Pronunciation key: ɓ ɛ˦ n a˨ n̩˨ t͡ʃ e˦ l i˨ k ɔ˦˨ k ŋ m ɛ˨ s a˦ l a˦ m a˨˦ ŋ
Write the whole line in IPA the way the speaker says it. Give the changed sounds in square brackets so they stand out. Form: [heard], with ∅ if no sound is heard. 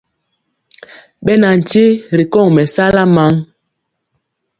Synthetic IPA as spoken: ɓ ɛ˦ n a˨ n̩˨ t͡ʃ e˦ [ɾ] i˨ k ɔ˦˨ [∅] ŋ m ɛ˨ s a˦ l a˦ m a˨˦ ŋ